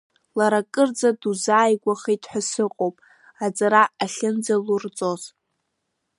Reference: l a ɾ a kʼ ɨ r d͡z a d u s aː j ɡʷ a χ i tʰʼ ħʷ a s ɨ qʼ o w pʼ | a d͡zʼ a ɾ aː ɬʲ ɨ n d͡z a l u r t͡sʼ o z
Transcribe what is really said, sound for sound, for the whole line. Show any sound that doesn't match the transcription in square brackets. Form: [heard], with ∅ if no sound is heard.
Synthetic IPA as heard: l a ɾ a kʼ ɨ r d͡z a d u [z] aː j ɡʷ a χ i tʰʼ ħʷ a s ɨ qʼ o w pʼ | a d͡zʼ a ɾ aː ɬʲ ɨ n d͡z a l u r t͡sʼ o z

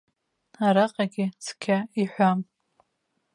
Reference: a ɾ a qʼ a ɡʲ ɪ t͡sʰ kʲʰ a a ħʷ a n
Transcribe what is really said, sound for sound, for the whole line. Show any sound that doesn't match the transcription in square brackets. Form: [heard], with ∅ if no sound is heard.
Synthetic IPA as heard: a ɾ a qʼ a ɡʲ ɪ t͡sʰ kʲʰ a [i] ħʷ a [m]

